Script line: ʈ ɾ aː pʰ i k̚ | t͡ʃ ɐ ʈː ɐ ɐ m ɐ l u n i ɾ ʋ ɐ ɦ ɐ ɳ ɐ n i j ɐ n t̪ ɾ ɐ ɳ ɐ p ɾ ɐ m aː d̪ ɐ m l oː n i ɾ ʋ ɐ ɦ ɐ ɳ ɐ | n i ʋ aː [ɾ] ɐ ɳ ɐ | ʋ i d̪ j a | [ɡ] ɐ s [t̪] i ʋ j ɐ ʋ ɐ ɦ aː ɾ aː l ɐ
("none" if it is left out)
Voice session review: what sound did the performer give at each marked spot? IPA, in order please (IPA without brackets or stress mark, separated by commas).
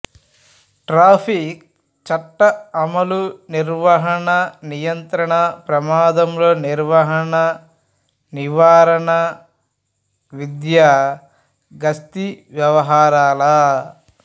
ɾ, ɡ, t̪